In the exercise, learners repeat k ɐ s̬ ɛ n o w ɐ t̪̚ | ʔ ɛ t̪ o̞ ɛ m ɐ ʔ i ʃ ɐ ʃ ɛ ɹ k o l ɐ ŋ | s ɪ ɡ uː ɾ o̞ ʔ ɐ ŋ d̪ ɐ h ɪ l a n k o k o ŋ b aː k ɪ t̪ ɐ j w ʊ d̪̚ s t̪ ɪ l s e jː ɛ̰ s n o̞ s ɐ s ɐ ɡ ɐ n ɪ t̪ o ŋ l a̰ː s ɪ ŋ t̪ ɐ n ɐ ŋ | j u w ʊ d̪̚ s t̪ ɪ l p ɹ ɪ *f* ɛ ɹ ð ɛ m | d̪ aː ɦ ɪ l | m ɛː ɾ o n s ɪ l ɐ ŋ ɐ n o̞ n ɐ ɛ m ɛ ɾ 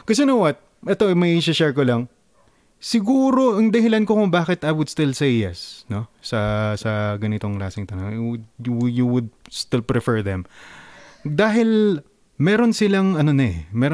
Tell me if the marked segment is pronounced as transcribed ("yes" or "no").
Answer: yes